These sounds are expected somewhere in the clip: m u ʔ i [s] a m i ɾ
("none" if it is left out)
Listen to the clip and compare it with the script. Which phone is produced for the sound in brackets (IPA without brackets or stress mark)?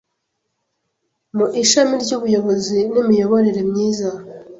ʃ